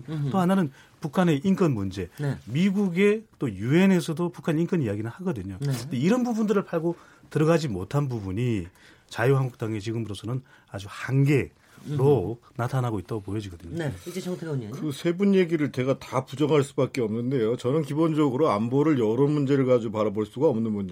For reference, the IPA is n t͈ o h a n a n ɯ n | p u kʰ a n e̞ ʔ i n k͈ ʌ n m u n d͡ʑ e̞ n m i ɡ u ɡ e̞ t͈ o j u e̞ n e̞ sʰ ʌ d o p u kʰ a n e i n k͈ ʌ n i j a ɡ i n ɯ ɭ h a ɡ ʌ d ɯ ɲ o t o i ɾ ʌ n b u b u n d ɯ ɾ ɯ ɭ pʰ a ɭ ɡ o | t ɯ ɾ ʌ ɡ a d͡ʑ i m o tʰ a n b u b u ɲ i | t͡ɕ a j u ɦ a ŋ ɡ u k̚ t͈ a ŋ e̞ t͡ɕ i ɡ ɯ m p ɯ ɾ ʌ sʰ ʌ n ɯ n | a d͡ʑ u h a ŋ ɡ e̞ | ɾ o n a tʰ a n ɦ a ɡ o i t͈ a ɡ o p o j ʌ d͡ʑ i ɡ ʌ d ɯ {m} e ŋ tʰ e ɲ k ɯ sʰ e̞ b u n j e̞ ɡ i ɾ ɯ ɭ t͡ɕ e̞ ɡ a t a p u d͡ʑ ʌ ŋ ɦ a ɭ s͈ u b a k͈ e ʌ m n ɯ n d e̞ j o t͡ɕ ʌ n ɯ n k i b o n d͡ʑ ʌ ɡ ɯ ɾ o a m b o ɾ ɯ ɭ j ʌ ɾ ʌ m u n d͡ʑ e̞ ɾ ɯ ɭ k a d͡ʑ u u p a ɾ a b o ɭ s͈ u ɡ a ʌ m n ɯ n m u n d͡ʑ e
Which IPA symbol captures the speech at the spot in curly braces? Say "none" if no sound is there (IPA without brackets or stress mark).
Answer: ɲ